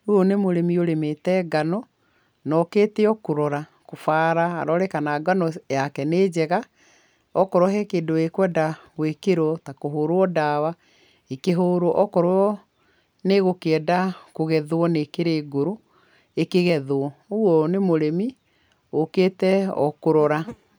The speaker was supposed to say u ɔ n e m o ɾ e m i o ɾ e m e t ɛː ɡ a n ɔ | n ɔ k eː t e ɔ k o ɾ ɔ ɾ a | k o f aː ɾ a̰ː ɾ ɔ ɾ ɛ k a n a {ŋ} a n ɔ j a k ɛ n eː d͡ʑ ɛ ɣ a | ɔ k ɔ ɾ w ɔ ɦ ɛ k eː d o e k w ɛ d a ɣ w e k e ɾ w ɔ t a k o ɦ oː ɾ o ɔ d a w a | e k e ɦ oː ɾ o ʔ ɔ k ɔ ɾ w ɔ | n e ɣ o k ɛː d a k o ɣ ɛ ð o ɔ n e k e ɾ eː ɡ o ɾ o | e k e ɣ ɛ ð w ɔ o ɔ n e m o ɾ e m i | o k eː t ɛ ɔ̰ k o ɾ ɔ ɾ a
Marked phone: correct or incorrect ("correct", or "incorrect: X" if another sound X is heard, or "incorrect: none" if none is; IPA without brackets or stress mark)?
incorrect: ɡ